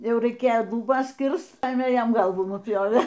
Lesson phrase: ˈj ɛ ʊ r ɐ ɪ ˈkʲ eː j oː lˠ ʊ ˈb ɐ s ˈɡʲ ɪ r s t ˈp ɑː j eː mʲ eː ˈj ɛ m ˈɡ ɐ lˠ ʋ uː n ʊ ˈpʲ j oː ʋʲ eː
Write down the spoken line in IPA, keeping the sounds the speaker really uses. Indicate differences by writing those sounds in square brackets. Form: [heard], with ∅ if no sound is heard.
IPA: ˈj ɛ ʊ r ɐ ɪ ˈkʲ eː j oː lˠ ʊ ˈb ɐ s [ˈkʲ] ɪ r s t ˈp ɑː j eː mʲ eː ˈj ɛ m ˈɡ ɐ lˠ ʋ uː n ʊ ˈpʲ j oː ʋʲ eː

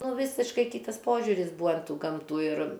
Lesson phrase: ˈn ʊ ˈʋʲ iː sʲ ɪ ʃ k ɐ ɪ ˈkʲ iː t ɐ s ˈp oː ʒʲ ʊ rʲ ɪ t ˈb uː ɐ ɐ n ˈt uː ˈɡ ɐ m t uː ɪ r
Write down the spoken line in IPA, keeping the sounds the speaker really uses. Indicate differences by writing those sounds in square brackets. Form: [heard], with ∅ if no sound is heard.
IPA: ˈn ʊ ˈʋʲ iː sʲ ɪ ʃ k ɐ ɪ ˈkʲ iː t ɐ s ˈp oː ʒʲ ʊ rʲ ɪ [s] ˈb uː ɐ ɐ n ˈt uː ˈɡ ɐ m t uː ɪ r

